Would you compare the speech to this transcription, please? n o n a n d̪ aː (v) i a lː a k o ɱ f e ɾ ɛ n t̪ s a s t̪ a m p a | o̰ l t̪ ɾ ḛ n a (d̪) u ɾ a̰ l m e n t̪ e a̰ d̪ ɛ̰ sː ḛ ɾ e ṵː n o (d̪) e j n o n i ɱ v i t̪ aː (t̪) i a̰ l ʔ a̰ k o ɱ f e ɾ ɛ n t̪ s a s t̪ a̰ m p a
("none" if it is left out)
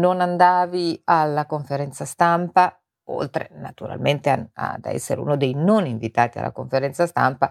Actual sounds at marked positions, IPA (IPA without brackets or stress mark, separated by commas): v, t̪, d̪, t̪